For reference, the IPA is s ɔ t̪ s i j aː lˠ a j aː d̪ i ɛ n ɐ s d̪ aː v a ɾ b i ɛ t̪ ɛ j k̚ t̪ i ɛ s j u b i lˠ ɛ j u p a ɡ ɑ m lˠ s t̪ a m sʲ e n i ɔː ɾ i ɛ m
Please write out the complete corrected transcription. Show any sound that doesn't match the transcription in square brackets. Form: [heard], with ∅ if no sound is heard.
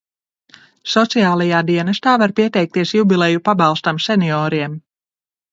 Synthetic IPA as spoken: s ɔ t̪ s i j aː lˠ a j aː d̪ i ɛ n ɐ s [t̪] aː v a ɾ [p] i ɛ t̪ ɛ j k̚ t̪ i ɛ s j u b i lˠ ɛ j u p a [b] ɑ [∅] lˠ s t̪ a m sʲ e n i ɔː ɾ i ɛ m